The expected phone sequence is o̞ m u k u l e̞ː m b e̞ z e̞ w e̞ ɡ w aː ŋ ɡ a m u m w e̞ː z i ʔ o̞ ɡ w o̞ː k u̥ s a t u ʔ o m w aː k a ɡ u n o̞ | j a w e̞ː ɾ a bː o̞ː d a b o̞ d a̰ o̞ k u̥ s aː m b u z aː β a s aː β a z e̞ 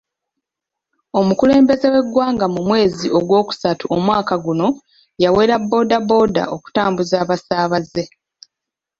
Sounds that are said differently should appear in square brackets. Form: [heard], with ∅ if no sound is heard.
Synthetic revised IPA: o̞ m u k u l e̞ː m b e̞ z e̞ w e̞ ɡ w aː ŋ ɡ a m u m w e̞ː z i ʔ o̞ ɡ w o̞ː k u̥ s a t u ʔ o m w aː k a ɡ u n o̞ | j a w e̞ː ɾ a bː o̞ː d a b o̞ d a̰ o̞ k u̥ [t] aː m b u z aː β a s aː β a z e̞